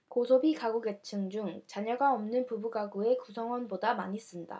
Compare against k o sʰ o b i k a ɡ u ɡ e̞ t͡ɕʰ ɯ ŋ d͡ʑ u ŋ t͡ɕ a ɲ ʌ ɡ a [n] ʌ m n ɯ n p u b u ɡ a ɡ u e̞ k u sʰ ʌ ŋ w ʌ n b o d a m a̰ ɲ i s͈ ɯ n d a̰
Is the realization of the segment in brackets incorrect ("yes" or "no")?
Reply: yes